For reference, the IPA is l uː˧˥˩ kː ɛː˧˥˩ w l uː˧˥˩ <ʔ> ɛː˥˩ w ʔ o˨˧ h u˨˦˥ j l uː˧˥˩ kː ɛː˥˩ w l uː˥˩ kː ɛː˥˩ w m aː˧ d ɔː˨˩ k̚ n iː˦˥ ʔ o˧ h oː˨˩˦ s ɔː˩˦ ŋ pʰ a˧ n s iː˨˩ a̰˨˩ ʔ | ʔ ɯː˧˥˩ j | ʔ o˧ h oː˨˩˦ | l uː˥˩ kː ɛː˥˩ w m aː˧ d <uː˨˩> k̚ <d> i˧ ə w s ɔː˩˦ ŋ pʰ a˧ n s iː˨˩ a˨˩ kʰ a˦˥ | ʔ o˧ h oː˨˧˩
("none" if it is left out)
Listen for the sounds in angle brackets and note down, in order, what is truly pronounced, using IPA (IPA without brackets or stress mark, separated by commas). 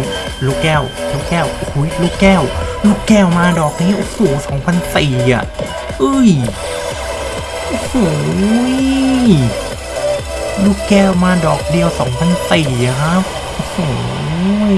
k, ɔː˨˩, d